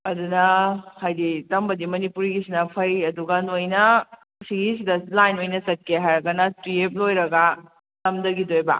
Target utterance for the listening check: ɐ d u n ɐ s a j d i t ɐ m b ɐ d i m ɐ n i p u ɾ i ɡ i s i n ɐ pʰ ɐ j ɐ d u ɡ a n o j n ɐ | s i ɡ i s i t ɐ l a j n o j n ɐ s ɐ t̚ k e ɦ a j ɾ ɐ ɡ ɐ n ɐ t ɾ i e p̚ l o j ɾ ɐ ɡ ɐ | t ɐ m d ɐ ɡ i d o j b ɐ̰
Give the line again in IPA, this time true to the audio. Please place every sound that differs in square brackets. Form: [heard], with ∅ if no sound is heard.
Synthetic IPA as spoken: ɐ d u n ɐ [h] a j d i t ɐ m b ɐ d i m ɐ n i p u ɾ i ɡ i s i n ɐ pʰ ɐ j ɐ d u ɡ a n o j n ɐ | s i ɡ i s i [d] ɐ l a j n o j n ɐ s ɐ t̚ k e ɦ a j ɾ ɐ ɡ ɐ n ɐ t ɾ i e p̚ l o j ɾ ɐ ɡ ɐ | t ɐ m d ɐ ɡ i d o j b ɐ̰